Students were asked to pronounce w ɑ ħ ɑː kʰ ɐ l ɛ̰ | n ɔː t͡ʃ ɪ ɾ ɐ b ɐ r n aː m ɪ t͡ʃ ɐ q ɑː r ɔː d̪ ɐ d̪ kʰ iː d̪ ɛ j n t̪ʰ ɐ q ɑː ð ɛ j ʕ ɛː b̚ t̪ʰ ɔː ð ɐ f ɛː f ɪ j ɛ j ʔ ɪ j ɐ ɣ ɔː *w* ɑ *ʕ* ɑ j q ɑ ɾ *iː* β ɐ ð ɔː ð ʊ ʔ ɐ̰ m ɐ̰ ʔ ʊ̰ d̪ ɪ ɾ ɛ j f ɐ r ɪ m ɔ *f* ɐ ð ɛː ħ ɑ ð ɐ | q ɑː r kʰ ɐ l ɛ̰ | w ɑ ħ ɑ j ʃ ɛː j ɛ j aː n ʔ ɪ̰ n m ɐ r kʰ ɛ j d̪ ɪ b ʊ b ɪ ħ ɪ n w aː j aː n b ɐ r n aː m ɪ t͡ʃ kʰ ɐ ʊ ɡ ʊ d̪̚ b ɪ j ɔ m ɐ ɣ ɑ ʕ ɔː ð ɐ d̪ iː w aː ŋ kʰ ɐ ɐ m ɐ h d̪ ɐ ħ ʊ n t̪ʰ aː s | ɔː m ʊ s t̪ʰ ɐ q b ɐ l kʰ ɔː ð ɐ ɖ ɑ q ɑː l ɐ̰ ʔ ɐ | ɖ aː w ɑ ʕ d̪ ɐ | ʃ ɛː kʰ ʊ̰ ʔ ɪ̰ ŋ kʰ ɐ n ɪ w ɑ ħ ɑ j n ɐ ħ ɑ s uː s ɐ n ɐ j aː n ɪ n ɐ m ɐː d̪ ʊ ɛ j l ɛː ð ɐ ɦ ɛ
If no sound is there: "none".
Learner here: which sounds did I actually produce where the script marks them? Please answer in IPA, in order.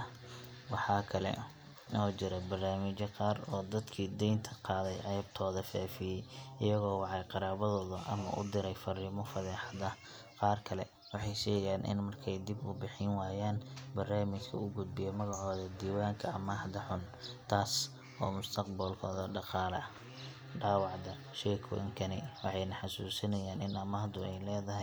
w, ʕ, aː, f

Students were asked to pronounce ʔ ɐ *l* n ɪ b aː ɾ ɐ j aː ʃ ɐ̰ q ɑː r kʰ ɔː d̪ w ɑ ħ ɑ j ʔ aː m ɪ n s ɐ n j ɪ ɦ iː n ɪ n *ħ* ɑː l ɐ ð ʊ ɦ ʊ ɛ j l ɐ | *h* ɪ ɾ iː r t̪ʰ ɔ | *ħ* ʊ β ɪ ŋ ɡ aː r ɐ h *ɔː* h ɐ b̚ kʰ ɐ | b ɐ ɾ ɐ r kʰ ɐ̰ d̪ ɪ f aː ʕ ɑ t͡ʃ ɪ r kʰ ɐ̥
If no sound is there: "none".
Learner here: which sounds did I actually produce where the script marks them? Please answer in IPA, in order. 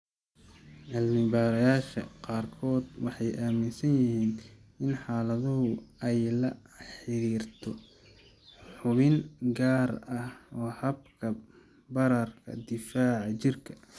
l, ħ, ħ, ħ, ɔː

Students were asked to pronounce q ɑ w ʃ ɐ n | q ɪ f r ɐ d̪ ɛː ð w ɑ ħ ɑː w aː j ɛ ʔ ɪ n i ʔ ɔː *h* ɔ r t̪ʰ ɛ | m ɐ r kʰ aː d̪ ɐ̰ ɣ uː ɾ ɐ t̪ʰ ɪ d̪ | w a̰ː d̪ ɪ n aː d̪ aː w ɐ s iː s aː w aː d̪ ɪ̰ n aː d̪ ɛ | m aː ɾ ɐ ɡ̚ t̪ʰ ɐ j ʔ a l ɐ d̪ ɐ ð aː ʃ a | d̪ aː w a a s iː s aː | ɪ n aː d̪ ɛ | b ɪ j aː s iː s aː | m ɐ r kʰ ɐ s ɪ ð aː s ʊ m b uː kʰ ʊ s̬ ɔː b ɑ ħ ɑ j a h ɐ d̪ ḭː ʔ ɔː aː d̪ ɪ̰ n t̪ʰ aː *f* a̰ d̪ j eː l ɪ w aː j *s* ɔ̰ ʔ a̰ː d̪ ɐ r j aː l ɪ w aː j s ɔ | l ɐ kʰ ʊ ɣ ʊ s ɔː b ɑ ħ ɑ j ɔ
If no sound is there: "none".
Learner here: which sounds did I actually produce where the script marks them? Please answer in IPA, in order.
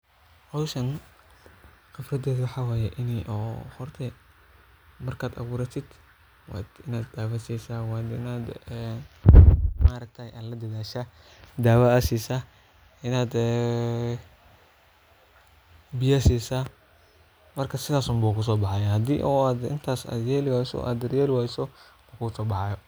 h, s, s

